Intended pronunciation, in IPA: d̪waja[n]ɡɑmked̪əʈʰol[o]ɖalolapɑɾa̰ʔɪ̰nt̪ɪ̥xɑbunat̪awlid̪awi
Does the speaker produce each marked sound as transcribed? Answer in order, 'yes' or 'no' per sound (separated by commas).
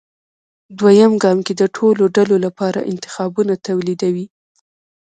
no, yes